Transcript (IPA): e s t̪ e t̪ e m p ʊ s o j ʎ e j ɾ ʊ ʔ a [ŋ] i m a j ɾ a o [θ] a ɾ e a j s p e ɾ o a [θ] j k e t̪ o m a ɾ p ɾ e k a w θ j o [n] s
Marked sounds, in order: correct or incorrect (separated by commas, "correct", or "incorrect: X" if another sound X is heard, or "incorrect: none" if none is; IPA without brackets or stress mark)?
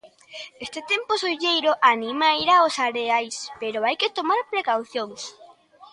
incorrect: n, incorrect: s, incorrect: none, incorrect: ŋ